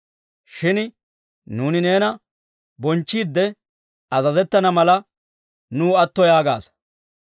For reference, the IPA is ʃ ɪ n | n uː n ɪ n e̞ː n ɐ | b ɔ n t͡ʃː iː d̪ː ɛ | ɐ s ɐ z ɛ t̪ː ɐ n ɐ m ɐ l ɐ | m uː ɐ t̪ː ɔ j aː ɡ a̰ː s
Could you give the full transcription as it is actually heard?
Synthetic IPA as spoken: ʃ ɪ n | n uː n ɪ n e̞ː n ɐ | b ɔ n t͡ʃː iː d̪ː ɛ | ɐ z ɐ z ɛ t̪ː ɐ n ɐ m ɐ l ɐ | n uː ɐ t̪ː ɔ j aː ɡ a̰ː s